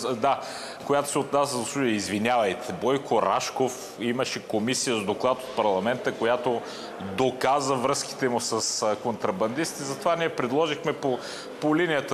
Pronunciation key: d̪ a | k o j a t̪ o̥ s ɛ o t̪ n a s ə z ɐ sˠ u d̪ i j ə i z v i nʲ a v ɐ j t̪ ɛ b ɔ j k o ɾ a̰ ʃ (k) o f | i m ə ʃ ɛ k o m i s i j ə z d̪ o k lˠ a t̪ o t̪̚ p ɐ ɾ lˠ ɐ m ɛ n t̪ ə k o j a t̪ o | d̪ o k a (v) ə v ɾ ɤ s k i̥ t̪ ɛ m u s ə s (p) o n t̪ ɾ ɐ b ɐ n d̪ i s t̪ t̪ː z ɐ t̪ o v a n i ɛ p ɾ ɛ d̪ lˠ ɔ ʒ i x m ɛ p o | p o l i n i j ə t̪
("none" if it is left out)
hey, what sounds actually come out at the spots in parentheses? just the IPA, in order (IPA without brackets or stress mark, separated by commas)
k, z, k